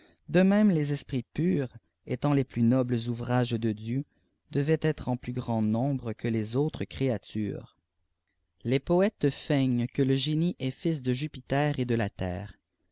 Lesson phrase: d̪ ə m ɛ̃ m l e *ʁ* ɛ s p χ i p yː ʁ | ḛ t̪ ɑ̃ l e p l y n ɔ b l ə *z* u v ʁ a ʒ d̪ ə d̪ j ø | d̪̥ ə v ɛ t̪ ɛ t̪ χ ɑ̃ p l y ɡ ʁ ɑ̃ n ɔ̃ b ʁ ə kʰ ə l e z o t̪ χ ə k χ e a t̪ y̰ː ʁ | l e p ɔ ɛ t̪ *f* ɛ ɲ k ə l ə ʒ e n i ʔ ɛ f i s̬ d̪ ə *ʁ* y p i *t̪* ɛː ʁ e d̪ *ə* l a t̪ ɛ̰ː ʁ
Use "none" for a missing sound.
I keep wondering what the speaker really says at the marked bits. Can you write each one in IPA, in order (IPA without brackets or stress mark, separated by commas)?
z, z, f, ʒ, t̪, ə